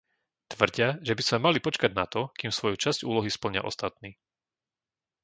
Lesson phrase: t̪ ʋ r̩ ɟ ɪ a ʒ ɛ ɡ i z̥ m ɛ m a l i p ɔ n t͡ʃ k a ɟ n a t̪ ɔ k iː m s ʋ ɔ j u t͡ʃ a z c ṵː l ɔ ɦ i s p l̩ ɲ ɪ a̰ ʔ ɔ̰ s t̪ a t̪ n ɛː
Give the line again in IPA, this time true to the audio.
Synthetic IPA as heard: t̪ ʋ r̩ ɟ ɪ a ʒ ɛ b i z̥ m ɛ m a l i p ɔ t͡ʃ k a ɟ n a t̪ ɔ k iː m s ʋ ɔ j u t͡ʃ a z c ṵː l ɔ ɦ i s p l̩ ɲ ɪ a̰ ʔ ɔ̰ s t̪ a t̪ n iː